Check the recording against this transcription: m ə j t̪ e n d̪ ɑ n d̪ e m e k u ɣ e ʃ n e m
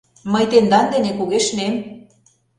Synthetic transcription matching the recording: m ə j t̪ e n d̪ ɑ n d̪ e n e k u ɣ e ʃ n e m